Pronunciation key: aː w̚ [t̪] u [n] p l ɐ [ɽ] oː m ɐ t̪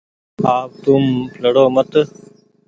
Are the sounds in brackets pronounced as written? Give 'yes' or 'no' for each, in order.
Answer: yes, no, yes

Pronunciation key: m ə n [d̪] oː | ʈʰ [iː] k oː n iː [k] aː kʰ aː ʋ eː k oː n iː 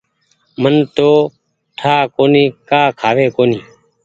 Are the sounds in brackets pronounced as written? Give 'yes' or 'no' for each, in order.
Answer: no, no, yes

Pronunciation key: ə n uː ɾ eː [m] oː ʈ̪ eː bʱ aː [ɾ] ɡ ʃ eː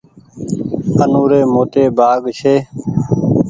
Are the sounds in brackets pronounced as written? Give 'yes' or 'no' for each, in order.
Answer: yes, no

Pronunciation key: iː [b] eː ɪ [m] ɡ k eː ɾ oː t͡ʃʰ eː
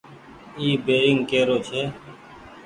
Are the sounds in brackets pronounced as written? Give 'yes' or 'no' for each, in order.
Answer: yes, no

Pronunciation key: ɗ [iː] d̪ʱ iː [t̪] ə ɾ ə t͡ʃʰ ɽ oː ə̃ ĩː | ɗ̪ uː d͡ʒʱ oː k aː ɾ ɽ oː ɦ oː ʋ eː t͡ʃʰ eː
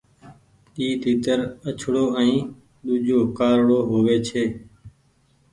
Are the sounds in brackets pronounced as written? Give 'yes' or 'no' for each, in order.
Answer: yes, yes

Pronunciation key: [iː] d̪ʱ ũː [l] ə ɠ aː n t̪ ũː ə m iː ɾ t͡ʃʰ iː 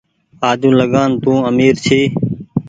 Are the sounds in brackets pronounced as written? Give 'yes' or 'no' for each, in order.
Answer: no, yes

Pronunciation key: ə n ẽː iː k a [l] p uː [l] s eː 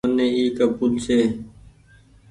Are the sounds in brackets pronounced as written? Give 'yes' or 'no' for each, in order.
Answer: no, yes

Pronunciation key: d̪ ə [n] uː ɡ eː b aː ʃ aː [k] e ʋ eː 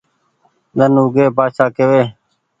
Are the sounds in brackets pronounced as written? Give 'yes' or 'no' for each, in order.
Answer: yes, yes

